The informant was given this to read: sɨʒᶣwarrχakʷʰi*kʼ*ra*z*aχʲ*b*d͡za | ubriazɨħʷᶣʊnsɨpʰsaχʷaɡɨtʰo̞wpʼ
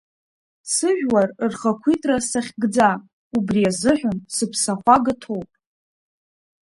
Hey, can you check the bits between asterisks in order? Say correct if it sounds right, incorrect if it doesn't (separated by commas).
incorrect, incorrect, incorrect